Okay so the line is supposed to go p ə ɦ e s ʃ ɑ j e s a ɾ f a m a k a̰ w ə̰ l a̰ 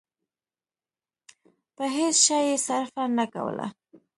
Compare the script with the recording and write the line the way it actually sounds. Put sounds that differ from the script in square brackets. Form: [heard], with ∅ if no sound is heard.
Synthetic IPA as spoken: p ə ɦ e s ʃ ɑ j e s a ɾ f a [n] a k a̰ w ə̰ l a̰

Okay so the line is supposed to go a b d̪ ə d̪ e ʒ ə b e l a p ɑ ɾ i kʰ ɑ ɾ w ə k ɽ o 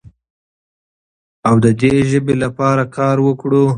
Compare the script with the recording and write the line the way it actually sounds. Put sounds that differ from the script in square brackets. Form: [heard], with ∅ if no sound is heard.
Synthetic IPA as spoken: a [w] d̪ ə d̪ e ʒ ə b e l a p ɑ ɾ [a] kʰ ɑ ɾ w ə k ɽ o

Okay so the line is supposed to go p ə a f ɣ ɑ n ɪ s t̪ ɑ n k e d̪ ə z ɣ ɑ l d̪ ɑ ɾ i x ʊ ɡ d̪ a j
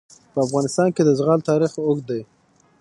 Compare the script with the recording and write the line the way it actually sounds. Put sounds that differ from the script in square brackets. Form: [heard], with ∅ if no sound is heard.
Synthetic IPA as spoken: p ə a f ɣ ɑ n ɪ s t̪ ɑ n k e d̪ ə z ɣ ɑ l [t̪] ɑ ɾ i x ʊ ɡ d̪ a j

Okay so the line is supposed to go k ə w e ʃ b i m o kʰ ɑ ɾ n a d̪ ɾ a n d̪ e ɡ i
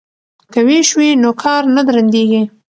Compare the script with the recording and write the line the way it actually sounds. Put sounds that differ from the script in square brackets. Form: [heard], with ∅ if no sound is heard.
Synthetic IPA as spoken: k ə w e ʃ [w] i [n] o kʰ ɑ ɾ n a d̪ ɾ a n d̪ e ɡ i

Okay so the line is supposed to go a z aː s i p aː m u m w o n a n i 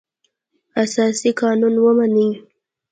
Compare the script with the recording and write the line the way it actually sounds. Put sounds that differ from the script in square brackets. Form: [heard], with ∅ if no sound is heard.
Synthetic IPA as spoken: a [s] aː s i [k] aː [n] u [n] w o [m] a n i

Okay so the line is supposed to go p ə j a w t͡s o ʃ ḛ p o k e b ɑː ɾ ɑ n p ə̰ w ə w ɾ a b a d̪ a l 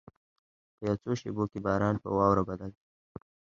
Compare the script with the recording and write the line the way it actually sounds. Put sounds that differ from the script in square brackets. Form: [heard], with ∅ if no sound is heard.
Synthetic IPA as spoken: p ə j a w t͡s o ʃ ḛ [b] o k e b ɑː ɾ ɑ n p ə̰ w [ɑ] w ɾ a b a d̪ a l

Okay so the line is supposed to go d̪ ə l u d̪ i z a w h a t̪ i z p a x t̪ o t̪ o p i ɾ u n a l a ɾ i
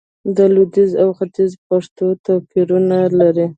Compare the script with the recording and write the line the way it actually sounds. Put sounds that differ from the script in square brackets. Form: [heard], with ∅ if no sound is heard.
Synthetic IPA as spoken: d̪ ə l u d̪ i z a w [x] a t̪ i z p a [ʂ] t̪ o t̪ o p i ɾ u n a l a ɾ i

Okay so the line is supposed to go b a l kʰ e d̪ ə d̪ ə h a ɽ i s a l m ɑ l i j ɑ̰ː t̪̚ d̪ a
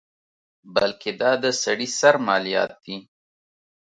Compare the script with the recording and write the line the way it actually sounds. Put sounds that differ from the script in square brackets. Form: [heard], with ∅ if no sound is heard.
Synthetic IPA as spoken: b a l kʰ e d̪ [ɑ] d̪ ə [s] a ɽ i s a [ɾ] m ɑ l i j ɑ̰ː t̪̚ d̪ [i]

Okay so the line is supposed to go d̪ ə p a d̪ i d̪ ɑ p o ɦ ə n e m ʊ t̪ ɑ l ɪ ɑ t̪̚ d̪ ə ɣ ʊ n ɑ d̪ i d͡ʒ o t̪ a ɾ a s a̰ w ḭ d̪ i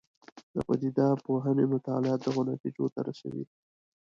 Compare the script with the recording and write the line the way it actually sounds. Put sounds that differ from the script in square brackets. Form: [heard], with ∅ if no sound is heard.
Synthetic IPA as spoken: d̪ ə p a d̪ i d̪ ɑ p o ɦ ə n e m ʊ t̪ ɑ l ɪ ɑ t̪̚ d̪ ə ɣ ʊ n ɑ [t̪] i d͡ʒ o t̪ a ɾ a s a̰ w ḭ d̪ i

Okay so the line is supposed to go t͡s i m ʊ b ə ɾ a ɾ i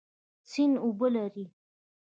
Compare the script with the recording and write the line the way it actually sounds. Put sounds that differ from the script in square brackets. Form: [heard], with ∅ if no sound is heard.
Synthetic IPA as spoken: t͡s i [n] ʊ b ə [l] a ɾ i

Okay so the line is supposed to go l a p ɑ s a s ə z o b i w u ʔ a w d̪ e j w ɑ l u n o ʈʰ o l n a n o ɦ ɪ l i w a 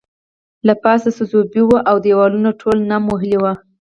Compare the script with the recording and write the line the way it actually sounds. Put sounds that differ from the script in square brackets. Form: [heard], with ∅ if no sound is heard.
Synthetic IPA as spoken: l a p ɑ s a s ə z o b i w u ʔ a w d̪ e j w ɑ l u n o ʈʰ o l n a [m] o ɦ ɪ l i w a

